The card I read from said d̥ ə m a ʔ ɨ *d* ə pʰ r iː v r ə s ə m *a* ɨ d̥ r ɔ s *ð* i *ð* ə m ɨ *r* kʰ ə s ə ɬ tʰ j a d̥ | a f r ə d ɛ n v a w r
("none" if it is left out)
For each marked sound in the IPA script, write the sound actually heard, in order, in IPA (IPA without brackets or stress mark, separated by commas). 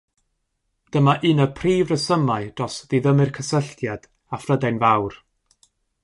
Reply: n, a, ð, ð, r